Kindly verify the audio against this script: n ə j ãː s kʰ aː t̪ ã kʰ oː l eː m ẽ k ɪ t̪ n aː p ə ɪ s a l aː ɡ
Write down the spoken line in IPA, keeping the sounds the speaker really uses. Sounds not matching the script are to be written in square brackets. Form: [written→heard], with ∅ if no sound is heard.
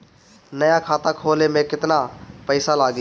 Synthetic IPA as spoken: n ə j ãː [s→∅] kʰ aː t̪ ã kʰ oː l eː m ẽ k ɪ t̪ n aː p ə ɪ s a l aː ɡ

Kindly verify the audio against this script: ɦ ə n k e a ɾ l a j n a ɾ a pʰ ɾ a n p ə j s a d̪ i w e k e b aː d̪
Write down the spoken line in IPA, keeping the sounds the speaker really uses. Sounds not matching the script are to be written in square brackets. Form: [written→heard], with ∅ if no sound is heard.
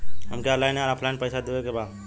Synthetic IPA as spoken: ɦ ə [n→m] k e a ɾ l a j n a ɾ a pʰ [ɾ→l] a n p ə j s a d̪ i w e k e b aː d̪

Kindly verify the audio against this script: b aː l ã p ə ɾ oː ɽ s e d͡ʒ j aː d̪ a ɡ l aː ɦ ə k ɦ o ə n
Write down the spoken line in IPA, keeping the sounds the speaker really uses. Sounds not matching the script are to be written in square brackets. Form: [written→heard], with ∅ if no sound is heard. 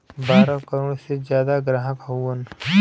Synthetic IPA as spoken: b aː [l→ɾ] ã [p→k] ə ɾ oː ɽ s e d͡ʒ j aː d̪ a ɡ [l→ɾ] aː ɦ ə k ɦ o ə n

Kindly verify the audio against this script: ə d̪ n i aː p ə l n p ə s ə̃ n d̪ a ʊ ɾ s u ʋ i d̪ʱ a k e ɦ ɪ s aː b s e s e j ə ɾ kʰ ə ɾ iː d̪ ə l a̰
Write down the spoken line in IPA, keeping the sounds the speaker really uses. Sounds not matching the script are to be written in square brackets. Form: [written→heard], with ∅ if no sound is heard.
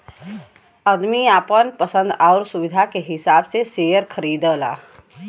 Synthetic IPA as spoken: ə d̪ [n→m] i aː p ə [l→∅] n p ə s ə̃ n d̪ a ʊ ɾ s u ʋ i d̪ʱ a k e ɦ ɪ s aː b s e s e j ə ɾ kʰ ə ɾ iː d̪ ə l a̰

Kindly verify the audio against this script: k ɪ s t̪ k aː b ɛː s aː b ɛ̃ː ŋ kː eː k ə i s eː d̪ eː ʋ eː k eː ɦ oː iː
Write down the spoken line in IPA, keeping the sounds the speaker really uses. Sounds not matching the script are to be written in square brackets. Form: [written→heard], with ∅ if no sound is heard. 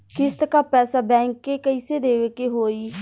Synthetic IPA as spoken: k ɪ s t̪ k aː [b→p] ɛː s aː b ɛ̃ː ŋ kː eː k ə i s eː d̪ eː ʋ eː k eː ɦ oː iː

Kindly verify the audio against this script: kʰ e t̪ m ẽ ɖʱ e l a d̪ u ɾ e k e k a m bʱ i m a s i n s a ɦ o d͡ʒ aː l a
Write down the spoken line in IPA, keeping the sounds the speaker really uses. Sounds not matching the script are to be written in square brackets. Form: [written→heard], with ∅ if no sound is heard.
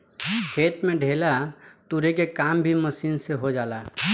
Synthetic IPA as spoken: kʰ e t̪ m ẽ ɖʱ e l a [d̪→t̪] u ɾ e k e k a m bʱ i m [a→ə] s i n s [a→e] ɦ o d͡ʒ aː l a

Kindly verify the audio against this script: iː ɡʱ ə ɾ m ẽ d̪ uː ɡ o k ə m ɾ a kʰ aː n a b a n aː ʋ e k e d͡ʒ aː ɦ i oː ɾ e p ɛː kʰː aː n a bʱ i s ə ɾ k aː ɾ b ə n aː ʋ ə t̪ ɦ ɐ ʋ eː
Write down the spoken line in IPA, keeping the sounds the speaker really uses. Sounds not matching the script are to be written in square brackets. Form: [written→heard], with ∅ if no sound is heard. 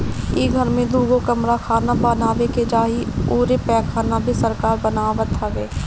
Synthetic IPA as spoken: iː ɡʱ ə ɾ m ẽ d̪ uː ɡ o k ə m ɾ a kʰ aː n a b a n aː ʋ e k e d͡ʒ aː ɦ i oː ɾ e p ɛː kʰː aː n a bʱ i s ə ɾ k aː ɾ b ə n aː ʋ ə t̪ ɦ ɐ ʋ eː

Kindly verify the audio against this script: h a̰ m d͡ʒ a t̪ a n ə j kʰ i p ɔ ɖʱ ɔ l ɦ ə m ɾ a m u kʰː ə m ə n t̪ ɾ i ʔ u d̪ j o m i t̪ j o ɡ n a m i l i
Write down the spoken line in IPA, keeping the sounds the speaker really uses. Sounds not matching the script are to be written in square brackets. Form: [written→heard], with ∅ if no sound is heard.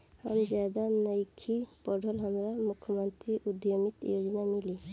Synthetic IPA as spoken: h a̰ m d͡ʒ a [t̪→d̪] a n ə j kʰ i p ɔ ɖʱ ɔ l ɦ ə m ɾ a m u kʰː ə m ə n t̪ ɾ i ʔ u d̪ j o m i t̪ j o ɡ n a m i l i

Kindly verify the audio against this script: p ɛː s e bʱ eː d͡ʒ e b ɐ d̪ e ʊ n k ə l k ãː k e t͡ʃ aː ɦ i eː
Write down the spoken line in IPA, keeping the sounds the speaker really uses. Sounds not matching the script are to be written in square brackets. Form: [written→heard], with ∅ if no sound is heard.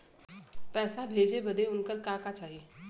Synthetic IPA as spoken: p ɛː s [e→a] bʱ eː d͡ʒ e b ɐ d̪ e ʊ n k ə [l→ɾ] k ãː k [e→a] t͡ʃ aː ɦ i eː

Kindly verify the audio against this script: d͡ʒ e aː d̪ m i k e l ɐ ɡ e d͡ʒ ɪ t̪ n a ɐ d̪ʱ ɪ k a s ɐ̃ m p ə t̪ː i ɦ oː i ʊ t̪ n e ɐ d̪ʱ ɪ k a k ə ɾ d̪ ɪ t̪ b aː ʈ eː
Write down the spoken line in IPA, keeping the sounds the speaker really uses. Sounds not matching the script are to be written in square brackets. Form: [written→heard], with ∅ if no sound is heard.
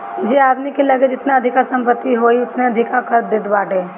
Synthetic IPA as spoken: d͡ʒ e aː d̪ m i k e l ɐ ɡ e d͡ʒ ɪ t̪ n a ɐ d̪ʱ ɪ k a s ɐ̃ m p ə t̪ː i ɦ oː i ʊ t̪ n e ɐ d̪ʱ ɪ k a k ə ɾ d̪ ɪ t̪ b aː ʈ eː

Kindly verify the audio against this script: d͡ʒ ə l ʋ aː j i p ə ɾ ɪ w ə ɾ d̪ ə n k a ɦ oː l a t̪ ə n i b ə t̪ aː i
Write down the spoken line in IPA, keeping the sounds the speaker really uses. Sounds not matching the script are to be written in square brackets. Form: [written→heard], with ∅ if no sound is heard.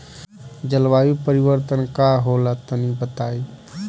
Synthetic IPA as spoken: d͡ʒ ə l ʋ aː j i p ə ɾ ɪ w ə ɾ [d̪→t̪] ə n k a ɦ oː l a t̪ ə n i b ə t̪ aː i

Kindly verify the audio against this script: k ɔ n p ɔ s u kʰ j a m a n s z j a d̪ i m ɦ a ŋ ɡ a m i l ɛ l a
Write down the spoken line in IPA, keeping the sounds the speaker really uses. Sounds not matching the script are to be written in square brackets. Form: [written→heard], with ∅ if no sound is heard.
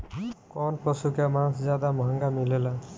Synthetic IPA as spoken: k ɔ n p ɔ s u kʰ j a m a n s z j a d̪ [i→a] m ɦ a ŋ ɡ a m i l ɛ l a

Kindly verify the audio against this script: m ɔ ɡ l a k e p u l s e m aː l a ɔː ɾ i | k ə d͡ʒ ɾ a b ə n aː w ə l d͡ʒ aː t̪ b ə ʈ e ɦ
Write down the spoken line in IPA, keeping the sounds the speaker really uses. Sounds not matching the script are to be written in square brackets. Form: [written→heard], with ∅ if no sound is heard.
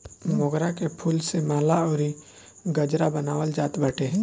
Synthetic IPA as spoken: m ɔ ɡ [l→ɾ] a k e [p→pʰ] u l s e m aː l a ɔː ɾ i | [k→ɡ] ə d͡ʒ ɾ a b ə n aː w ə l d͡ʒ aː t̪ b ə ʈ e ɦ

